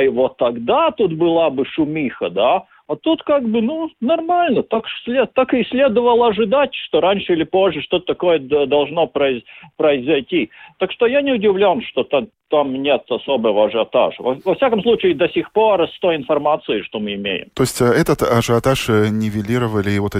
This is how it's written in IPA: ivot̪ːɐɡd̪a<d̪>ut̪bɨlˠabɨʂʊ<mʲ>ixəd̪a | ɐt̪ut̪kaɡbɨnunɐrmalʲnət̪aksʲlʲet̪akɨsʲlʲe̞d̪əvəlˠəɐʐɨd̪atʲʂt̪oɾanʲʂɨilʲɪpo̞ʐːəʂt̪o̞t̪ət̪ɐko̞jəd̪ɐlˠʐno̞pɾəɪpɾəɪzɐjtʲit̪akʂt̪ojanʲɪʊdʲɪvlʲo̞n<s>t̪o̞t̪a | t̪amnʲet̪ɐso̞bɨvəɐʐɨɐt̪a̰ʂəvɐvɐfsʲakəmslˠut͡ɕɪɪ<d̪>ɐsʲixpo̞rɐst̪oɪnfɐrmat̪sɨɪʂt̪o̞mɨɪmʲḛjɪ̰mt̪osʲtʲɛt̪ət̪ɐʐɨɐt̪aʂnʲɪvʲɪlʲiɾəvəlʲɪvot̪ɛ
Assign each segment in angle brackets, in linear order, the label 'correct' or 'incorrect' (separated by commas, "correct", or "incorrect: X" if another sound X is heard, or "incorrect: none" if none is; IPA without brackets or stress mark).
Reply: incorrect: t̪, correct, incorrect: ʂ, correct